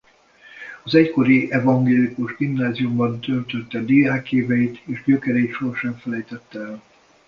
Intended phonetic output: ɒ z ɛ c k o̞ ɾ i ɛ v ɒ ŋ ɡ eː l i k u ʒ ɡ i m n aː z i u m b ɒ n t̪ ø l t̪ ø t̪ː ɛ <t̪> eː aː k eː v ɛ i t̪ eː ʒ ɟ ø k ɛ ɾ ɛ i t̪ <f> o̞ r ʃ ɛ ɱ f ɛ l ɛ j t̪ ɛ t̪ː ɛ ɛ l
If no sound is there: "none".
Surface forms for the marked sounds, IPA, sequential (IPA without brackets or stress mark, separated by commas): d̪, ʃ